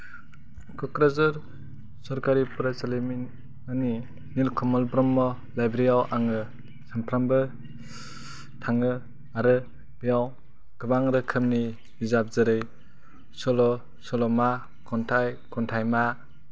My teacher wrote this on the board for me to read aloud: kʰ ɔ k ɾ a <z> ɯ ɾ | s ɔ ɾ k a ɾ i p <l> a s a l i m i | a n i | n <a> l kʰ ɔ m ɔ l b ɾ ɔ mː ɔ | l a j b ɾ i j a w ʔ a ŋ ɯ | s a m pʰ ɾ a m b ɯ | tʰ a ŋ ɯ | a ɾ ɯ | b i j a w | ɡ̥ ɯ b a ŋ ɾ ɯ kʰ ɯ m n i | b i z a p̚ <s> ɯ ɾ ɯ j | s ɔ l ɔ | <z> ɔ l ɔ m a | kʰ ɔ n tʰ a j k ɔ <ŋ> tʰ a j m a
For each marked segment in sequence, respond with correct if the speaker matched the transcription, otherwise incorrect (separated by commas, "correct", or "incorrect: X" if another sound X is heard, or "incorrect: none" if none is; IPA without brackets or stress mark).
correct, incorrect: ɾ, incorrect: i, incorrect: z, incorrect: s, incorrect: n